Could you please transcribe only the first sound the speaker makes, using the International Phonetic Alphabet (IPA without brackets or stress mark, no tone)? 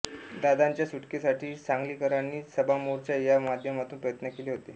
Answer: d̪